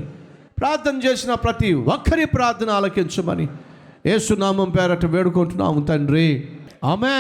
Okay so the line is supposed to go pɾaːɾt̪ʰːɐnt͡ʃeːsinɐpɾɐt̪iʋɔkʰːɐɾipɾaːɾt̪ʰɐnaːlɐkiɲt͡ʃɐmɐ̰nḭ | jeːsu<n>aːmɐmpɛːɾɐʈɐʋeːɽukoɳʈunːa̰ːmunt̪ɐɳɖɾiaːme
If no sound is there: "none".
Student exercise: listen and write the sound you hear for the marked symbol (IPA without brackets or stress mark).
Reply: n